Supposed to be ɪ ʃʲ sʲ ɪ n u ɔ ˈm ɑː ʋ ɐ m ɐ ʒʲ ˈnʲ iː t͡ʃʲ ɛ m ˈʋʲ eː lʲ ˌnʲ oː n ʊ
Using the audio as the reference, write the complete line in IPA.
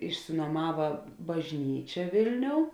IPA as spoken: ɪ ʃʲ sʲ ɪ n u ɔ ˈm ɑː ʋ ɐ b ɐ ʒʲ ˈnʲ iː t͡ʃʲ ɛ ˈʋʲ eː lʲ ˌnʲ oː ʊ